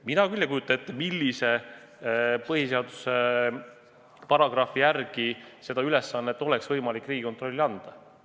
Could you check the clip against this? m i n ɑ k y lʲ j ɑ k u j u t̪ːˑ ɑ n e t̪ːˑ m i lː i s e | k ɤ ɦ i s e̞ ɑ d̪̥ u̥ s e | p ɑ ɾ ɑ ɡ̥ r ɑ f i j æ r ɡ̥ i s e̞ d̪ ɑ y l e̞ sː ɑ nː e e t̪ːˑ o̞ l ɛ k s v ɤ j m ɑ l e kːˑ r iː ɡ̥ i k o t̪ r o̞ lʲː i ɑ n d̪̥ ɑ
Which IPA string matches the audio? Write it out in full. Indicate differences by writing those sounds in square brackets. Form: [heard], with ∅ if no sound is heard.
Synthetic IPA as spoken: m i n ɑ k y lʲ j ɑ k u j u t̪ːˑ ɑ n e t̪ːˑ m i lː i s e | [p] ɤ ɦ i s e̞ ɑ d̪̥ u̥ s e | p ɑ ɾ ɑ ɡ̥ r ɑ f i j æ r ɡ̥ i s e̞ d̪ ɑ y l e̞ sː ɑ nː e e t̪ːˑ o̞ l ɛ k s v ɤ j m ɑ l [i] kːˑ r iː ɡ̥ i k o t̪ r o̞ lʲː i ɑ n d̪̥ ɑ